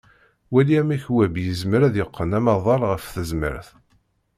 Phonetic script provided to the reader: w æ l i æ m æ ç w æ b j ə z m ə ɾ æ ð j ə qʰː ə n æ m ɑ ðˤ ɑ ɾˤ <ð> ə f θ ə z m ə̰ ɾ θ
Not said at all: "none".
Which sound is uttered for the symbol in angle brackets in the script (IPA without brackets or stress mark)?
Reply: ʁ